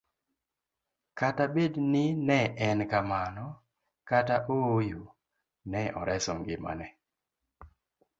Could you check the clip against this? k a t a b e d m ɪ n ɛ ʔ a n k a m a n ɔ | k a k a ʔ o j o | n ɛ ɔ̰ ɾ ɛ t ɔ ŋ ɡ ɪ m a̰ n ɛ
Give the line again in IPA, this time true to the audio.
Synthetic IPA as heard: k a t a b e d n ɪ n ɛ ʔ ɛ n k a m a n ɔ | k a t a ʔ o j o | n ɛ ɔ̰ ɾ ɛ s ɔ ŋ ɡ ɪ m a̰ n ɛ